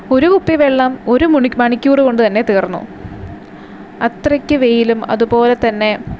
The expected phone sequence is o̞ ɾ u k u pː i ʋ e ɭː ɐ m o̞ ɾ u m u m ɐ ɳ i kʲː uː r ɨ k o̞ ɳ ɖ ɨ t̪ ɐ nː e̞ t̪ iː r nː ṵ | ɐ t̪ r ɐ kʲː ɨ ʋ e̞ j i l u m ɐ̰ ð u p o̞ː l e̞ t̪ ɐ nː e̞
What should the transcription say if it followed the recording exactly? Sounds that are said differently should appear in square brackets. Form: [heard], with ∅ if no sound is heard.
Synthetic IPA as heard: o̞ ɾ u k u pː i ʋ e ɭː ɐ m o̞ ɾ u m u m ɐ ɳ i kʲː uː r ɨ k o̞ ɳ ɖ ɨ t̪ ɐ nː e̞ t̪ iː r nː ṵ | ɐ t̪ r ɐ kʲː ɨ ʋ e̞ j i l u m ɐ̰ ð u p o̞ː l e̞ t̪ ɐ nː e̞